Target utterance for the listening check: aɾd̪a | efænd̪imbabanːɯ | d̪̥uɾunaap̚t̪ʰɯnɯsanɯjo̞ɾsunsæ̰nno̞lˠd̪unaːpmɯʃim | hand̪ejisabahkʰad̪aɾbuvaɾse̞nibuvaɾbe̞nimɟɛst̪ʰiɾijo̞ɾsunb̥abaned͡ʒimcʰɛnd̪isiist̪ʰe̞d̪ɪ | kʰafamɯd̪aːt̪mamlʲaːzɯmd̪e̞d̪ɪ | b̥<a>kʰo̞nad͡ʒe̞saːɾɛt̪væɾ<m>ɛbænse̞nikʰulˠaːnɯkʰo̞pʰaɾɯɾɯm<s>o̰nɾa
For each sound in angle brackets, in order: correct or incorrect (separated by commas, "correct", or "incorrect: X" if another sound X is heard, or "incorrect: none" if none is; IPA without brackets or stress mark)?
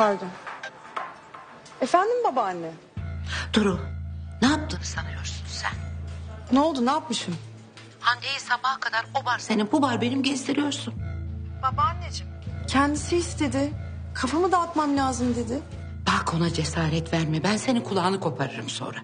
correct, correct, correct